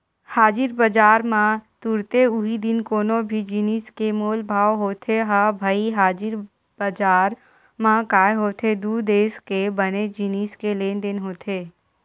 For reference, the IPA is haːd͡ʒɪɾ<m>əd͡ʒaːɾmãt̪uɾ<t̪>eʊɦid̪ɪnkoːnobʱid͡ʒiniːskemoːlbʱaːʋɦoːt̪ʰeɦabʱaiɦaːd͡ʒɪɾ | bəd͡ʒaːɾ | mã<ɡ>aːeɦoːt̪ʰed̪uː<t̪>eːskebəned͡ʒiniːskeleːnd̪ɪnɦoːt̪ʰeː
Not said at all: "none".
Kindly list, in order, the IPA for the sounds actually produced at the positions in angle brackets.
b, t̪, k, d̪

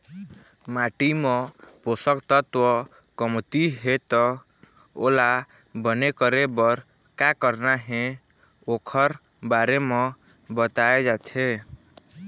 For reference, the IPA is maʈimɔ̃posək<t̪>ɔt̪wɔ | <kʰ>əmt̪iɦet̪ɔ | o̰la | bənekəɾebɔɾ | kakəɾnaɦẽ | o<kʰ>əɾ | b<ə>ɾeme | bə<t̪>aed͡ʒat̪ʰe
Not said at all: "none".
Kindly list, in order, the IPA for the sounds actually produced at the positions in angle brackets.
t̪, k, kʰ, a, t̪

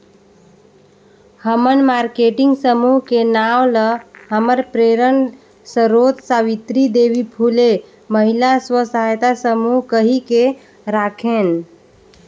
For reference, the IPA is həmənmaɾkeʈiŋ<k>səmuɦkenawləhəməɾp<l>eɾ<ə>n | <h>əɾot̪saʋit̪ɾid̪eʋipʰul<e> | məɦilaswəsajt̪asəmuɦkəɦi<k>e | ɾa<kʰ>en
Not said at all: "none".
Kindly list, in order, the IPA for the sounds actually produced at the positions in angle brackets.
ɡ, ɾ, ə, s, e, k, kʰ

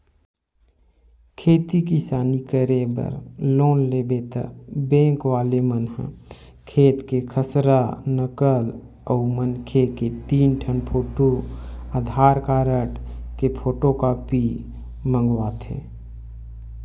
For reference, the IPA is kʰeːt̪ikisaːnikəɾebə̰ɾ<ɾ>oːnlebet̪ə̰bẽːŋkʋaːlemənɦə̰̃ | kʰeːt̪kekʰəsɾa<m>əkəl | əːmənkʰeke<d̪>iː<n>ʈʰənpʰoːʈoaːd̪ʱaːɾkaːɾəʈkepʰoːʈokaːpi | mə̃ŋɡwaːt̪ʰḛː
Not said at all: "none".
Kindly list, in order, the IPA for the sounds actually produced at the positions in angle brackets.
l, n, t̪, n

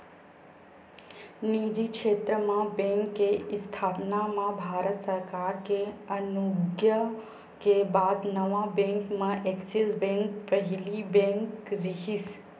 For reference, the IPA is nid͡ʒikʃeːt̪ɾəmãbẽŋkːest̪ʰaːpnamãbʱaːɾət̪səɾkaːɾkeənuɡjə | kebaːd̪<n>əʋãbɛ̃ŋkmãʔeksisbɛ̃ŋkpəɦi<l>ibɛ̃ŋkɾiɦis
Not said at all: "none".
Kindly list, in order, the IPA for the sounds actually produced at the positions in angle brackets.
n, l

